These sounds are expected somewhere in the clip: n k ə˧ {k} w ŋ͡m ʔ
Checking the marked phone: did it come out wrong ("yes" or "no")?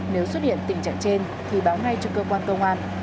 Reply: yes